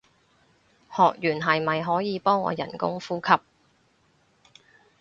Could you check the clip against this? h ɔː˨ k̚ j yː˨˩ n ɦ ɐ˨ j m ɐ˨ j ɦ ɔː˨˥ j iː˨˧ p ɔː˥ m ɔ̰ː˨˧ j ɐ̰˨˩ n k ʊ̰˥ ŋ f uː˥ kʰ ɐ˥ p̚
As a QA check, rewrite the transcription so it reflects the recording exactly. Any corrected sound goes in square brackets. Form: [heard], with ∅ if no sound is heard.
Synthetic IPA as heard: h ɔː˨ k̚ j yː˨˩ n ɦ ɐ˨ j m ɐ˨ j ɦ ɔː˨˥ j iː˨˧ p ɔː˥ [ŋ] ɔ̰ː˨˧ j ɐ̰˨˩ n k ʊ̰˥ ŋ f uː˥ kʰ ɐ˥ p̚